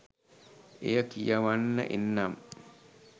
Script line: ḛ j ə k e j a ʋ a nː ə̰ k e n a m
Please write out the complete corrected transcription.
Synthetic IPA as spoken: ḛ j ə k i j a ʋ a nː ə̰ ʔ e nː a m